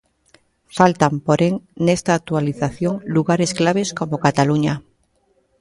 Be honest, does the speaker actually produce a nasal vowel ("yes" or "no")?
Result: no